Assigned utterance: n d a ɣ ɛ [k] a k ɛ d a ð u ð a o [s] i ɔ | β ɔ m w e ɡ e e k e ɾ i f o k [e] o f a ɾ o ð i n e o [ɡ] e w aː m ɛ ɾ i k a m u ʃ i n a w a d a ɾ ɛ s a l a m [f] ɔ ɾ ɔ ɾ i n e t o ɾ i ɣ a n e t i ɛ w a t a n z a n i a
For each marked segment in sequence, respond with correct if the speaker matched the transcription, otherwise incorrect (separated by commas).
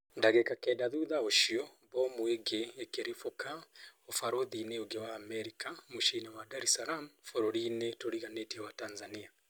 correct, incorrect, incorrect, correct, correct